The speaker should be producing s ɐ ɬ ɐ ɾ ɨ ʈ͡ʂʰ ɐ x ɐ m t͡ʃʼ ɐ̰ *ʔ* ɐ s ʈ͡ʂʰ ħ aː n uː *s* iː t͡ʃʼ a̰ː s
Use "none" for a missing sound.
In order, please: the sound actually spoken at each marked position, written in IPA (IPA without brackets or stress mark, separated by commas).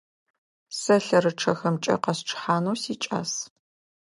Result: q, s